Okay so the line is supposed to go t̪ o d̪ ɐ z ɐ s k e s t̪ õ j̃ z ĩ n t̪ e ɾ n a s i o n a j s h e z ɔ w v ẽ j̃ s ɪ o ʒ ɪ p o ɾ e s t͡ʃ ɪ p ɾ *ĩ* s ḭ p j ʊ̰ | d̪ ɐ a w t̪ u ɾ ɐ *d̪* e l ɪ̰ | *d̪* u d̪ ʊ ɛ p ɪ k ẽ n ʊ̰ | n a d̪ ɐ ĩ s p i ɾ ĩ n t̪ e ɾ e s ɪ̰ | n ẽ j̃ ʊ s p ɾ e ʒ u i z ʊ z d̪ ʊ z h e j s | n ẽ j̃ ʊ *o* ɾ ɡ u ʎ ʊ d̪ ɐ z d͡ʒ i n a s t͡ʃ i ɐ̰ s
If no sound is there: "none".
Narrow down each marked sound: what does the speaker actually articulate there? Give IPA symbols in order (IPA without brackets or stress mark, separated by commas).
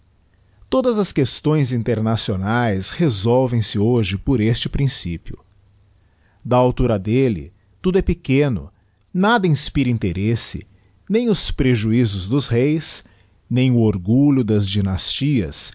ĩ, d̪, t̪, o